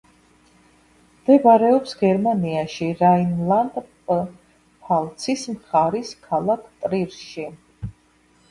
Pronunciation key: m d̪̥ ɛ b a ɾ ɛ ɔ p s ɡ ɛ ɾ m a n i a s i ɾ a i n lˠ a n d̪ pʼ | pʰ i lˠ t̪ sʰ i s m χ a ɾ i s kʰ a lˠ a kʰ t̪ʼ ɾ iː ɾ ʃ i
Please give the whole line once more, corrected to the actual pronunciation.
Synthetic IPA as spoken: m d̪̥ ɛ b a ɾ ɛ ɔ p s ɡ ɛ ɾ m a n i a ʃ i ɾ a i n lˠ a n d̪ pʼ | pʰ a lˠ t̪ sʰ i s m χ a ɾ i s kʰ a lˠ a kʰ t̪ʼ ɾ i ɾ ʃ i